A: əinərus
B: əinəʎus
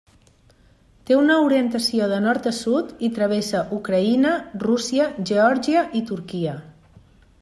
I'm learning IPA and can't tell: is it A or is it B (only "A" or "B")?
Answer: A